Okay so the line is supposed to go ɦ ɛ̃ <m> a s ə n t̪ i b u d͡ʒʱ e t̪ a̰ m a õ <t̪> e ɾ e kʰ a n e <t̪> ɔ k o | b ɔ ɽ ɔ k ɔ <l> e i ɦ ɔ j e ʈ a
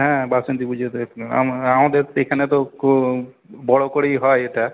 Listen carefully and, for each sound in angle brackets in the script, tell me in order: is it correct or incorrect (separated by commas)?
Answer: incorrect, incorrect, correct, incorrect